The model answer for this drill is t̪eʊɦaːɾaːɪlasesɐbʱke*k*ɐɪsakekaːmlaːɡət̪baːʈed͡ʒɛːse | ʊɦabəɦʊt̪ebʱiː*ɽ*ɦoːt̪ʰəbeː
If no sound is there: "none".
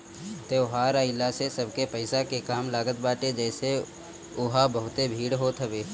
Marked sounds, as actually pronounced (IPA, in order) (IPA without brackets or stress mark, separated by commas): p, ɽ